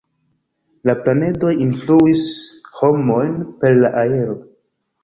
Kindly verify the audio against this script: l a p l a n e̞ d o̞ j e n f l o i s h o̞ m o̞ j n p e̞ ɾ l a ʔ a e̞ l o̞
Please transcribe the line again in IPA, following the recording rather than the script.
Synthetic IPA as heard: l a p l a n e̞ d o̞ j i n f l u i s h o̞ m o̞ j n p e̞ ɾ l a ʔ a e̞ ɾ o̞